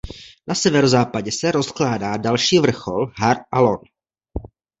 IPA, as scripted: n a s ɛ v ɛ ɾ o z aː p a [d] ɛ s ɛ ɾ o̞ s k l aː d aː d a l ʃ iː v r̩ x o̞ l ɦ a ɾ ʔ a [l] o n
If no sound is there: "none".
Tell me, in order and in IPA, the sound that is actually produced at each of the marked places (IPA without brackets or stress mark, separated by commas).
ɟ, l